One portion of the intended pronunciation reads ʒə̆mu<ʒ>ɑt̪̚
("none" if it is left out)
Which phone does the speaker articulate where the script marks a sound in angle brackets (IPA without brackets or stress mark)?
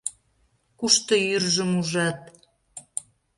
ʒ